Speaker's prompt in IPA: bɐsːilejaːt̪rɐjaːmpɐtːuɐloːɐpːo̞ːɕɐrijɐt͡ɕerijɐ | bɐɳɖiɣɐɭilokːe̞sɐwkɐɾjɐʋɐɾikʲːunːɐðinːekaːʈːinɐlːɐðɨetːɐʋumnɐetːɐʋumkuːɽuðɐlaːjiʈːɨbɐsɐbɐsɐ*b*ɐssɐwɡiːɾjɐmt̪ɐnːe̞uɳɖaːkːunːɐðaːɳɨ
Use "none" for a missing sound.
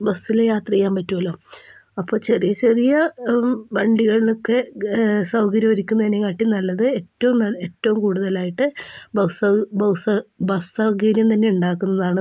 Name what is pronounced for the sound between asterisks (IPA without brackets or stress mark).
b